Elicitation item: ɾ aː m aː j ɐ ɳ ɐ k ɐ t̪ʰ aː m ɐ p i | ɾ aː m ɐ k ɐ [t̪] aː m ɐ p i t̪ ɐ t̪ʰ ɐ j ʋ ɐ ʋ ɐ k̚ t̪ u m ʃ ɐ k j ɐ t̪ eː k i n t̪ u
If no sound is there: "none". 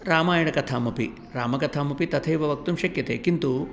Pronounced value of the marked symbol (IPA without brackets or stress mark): t̪ʰ